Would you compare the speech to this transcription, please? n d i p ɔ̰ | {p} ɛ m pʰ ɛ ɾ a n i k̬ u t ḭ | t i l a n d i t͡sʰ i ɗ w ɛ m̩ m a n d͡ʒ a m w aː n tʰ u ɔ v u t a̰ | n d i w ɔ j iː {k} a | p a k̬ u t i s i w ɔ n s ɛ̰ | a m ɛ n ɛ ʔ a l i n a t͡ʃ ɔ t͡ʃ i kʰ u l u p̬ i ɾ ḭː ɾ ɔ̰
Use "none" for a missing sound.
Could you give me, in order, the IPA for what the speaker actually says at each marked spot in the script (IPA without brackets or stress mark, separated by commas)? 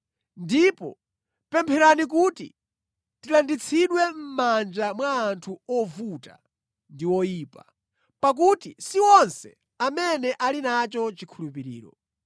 p, p